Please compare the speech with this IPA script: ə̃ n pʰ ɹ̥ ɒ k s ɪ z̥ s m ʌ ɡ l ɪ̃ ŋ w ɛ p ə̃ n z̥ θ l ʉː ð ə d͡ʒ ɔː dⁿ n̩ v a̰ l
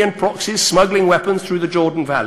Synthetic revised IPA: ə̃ n pʰ ɹ̥ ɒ k s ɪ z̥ s m ʌ ɡ l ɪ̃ ŋ w ɛ p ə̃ n z̥ θ ɹ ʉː ð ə d͡ʒ ɔː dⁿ n̩ v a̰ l